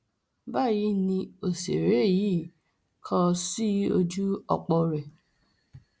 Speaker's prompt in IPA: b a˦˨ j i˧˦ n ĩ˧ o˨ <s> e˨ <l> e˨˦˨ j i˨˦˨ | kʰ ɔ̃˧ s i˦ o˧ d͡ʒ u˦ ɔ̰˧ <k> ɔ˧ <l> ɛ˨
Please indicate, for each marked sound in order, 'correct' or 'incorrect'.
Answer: correct, incorrect: ɾ, incorrect: k͡p, incorrect: ɾ

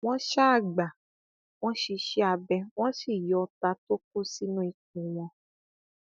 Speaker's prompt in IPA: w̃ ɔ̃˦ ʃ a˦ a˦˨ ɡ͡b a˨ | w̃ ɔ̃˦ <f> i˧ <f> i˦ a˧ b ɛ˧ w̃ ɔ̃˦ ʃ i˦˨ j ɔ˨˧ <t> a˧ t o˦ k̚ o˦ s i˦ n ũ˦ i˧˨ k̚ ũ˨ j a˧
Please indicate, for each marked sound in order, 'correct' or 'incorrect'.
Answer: incorrect: ʃ, incorrect: ʃ, correct

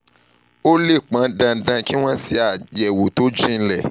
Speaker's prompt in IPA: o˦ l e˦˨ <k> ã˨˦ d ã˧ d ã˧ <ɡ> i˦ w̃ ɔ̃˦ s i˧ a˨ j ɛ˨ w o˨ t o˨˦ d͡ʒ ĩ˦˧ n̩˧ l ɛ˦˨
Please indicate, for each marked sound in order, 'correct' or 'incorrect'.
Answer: incorrect: k͡p, incorrect: k

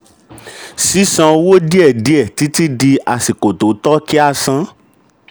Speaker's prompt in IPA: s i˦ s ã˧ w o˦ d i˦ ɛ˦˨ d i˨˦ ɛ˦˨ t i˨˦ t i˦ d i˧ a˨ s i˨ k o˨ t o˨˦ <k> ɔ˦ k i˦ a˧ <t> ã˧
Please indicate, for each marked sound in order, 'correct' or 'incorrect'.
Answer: incorrect: t, incorrect: s

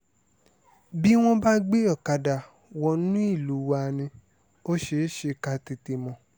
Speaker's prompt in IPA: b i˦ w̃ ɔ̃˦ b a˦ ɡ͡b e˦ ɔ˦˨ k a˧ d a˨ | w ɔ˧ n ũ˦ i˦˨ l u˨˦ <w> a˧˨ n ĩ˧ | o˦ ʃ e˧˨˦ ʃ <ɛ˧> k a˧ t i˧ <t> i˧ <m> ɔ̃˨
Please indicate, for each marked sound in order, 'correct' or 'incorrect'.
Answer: correct, incorrect: e˧, correct, correct

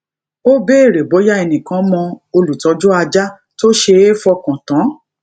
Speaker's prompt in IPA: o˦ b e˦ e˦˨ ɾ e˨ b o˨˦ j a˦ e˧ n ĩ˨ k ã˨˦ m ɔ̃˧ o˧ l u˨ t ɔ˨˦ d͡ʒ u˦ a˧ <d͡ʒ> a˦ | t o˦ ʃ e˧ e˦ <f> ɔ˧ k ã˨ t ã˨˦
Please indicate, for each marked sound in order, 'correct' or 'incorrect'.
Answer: correct, correct

